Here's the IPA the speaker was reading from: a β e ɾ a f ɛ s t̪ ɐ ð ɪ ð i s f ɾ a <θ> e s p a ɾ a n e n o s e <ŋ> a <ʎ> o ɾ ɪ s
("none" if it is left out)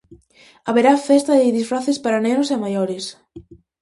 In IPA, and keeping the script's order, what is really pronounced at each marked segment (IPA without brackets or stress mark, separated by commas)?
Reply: θ, m, j